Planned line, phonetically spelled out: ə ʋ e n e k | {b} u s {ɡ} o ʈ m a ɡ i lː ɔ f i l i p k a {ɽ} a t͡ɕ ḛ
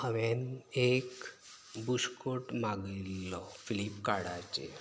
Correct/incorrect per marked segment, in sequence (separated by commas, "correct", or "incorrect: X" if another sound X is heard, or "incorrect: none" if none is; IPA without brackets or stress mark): correct, incorrect: k, correct